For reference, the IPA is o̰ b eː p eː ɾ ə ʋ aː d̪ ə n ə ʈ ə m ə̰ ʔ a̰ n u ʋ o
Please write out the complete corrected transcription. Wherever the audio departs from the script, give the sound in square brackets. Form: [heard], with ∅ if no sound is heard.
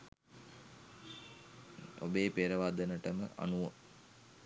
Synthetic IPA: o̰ b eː p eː ɾ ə ʋ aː d̪ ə n ə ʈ ə m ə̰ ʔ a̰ n u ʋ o